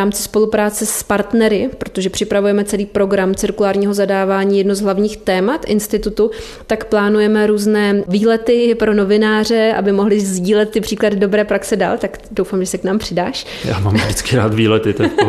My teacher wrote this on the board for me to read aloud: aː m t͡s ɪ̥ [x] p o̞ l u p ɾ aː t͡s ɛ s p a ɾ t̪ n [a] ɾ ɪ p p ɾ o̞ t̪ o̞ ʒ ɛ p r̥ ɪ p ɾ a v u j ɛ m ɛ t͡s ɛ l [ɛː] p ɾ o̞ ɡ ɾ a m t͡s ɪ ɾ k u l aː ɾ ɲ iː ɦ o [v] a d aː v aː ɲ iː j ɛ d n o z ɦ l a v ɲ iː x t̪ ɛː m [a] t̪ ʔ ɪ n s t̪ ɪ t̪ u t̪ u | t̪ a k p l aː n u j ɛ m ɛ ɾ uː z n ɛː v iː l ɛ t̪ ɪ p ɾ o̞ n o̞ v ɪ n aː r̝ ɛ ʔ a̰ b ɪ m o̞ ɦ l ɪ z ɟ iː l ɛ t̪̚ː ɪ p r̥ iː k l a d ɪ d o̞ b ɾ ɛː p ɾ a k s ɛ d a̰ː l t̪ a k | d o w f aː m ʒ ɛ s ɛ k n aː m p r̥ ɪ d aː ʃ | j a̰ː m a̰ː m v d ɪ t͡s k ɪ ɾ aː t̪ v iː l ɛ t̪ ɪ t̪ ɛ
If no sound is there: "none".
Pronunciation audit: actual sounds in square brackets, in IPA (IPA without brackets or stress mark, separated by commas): s, ɛ, iː, z, a